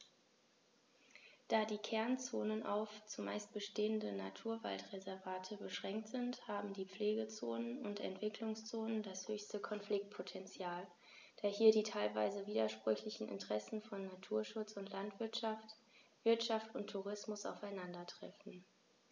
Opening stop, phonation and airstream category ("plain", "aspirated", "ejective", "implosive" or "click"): plain